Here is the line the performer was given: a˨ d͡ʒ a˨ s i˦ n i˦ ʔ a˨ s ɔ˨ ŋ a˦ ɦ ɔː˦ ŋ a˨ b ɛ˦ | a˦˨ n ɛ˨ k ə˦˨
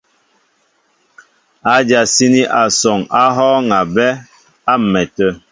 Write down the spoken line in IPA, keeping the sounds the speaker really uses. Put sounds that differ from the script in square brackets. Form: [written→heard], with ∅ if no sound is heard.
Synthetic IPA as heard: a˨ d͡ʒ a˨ s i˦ n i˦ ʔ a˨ s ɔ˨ ŋ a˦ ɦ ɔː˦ ŋ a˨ b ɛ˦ | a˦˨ [n→m] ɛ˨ [k→t] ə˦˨